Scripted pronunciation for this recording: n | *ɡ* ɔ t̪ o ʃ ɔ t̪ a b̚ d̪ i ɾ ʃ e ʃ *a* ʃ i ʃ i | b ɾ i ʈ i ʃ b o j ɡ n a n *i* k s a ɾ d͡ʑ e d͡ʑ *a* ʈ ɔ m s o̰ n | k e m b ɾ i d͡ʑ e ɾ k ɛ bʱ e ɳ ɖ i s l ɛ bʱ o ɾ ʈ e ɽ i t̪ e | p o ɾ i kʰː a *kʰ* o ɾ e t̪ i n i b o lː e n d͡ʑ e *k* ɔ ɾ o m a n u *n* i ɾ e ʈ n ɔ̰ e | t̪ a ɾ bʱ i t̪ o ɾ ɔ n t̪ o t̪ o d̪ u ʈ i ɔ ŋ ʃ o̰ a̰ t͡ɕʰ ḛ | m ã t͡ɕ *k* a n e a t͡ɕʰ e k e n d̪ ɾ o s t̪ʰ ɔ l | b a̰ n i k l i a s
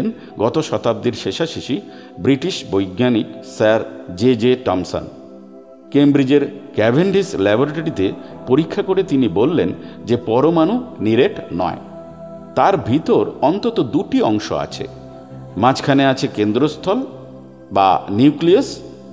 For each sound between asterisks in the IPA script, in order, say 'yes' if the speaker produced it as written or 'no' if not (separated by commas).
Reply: yes, yes, yes, no, no, no, yes, no